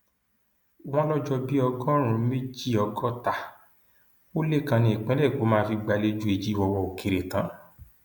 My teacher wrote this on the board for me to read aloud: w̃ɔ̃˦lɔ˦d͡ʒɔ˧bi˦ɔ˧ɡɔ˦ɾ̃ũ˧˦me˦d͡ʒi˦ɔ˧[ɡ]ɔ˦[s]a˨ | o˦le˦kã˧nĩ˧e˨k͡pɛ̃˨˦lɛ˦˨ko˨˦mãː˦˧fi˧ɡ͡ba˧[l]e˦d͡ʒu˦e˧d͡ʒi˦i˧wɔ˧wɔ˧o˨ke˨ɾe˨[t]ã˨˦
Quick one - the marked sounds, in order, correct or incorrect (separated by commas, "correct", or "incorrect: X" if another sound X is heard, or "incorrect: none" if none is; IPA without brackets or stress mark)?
correct, incorrect: t, correct, correct